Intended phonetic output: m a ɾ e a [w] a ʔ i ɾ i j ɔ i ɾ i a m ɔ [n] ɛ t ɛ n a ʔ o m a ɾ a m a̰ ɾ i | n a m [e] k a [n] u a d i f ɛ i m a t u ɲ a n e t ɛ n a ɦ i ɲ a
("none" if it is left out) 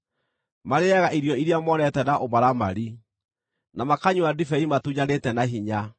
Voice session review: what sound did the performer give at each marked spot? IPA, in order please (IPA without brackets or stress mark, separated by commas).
ɣ, n, a, ɲ